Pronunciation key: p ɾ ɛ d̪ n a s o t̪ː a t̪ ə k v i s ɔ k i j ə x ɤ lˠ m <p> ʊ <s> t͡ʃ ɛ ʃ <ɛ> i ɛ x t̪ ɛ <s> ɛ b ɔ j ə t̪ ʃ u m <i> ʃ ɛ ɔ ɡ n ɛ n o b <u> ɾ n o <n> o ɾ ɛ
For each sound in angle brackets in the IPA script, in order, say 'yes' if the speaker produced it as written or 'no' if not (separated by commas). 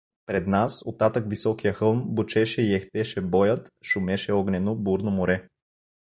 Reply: no, no, yes, no, no, yes, no